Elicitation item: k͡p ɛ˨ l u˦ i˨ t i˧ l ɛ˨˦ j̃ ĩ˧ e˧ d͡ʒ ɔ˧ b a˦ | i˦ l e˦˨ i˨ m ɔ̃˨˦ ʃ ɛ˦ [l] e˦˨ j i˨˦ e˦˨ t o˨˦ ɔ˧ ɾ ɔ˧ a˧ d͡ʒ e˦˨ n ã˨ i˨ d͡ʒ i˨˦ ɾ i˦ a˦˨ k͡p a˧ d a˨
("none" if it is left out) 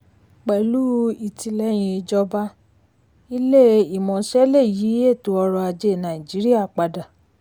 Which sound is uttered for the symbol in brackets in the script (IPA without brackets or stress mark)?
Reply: l